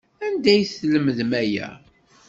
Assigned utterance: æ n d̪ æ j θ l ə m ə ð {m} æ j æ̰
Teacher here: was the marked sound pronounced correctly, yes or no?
yes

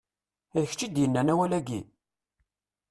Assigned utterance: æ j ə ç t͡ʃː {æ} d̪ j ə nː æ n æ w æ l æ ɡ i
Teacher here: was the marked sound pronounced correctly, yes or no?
no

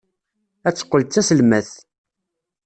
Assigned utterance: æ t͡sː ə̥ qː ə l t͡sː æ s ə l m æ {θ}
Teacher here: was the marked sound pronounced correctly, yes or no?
yes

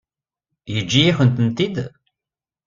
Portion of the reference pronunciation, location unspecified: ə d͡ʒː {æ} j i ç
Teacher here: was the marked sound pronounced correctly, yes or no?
no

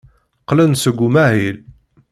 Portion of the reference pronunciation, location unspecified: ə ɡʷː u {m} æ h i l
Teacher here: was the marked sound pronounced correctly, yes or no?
yes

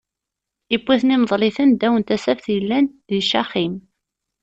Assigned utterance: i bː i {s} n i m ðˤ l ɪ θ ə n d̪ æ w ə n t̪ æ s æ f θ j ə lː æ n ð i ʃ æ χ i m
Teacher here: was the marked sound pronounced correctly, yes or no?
no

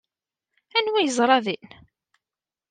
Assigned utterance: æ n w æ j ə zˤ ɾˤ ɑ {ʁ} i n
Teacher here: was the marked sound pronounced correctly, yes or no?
no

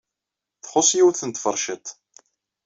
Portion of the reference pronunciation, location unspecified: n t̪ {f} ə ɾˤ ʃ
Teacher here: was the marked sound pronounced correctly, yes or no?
yes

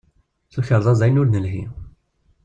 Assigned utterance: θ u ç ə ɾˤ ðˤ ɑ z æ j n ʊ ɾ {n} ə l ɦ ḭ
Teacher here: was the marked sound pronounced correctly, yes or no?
yes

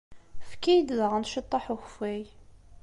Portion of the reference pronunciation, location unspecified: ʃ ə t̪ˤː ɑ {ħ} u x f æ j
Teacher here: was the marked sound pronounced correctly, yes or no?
yes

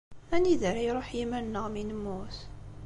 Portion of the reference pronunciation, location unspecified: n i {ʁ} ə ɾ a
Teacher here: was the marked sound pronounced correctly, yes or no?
no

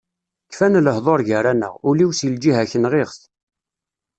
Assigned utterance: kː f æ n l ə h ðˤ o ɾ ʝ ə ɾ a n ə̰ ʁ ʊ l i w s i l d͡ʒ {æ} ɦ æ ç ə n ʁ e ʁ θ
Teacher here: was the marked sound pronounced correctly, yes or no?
no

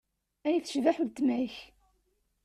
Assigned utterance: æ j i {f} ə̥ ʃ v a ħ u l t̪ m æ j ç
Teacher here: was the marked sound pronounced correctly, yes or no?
no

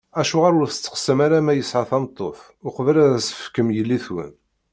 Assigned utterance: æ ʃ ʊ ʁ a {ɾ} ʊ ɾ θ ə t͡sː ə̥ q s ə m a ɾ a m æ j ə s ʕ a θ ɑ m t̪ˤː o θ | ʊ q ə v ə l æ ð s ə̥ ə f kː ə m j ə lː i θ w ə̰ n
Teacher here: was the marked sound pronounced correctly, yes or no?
yes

